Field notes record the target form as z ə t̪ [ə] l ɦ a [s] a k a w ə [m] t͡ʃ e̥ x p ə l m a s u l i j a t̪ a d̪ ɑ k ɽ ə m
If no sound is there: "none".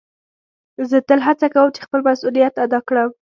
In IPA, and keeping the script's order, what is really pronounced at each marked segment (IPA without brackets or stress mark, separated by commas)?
ə, t͡s, m